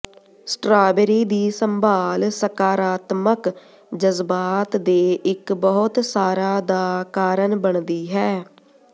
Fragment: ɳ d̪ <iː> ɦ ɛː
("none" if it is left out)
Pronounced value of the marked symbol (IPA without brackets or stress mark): iː